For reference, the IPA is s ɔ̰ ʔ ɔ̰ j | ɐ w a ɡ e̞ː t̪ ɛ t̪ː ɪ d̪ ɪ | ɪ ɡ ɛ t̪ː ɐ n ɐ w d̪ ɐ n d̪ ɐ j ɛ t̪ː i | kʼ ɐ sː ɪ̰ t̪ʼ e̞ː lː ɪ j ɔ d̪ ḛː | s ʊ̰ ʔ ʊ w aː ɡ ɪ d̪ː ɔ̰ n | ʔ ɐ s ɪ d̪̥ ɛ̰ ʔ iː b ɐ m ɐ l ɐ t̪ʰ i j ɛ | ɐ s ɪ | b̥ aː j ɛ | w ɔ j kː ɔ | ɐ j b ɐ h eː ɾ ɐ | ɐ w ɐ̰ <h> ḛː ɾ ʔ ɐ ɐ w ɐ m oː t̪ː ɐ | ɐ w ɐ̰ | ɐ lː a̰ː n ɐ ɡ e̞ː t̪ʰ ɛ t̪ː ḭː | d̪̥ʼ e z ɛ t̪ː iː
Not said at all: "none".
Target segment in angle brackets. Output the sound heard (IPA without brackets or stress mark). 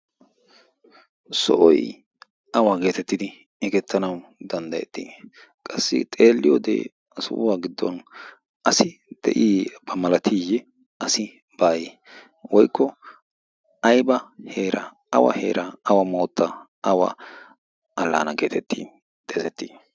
h